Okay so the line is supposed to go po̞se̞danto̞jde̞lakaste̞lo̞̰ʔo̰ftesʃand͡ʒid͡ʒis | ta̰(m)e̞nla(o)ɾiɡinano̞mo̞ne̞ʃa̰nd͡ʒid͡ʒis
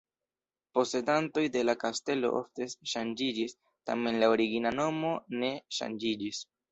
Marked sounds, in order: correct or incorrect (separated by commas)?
correct, correct